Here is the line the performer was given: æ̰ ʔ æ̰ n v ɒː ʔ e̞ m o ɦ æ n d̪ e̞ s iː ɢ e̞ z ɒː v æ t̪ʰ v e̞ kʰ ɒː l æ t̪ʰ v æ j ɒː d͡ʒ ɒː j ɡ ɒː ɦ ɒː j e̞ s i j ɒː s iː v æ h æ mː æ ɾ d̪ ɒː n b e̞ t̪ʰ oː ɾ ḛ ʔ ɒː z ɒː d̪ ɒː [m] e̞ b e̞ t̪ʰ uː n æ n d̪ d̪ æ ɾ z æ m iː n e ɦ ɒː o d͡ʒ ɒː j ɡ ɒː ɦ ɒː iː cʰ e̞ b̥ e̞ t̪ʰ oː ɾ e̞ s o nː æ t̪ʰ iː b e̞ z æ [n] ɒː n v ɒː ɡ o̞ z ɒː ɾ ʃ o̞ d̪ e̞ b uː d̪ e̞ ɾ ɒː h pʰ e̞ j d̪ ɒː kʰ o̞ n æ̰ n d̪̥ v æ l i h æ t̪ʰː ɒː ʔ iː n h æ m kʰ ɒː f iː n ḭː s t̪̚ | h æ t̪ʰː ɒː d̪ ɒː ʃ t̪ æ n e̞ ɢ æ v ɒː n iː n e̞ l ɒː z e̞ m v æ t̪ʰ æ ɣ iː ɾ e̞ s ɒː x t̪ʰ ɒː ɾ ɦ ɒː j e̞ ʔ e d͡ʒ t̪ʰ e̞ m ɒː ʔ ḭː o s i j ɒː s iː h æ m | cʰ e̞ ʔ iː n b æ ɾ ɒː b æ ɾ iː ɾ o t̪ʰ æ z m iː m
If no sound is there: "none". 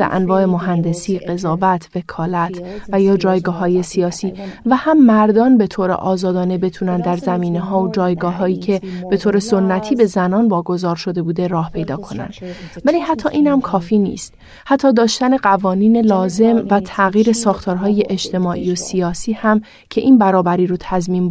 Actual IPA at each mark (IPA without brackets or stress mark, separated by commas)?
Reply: n, n